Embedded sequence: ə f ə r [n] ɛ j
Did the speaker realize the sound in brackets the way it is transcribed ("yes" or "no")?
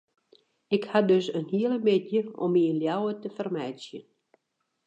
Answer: no